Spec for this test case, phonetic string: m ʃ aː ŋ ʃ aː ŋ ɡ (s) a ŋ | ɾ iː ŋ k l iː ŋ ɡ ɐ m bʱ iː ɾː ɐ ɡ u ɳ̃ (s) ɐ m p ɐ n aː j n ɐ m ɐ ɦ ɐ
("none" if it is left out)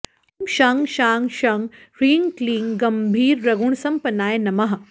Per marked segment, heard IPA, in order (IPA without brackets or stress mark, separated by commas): ʃ, s